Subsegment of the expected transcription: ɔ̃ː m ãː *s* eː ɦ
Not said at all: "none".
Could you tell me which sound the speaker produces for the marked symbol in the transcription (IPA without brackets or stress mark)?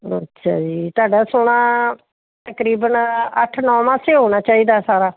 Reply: s